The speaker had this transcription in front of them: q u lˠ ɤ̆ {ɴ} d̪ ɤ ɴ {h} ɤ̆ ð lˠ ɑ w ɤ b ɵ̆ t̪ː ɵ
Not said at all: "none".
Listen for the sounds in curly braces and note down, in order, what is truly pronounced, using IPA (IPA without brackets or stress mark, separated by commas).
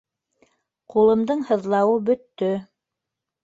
m, h